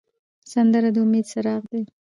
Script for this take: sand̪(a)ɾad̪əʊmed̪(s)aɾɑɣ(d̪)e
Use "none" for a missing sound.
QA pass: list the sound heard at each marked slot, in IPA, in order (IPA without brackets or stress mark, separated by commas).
ə, s, d̪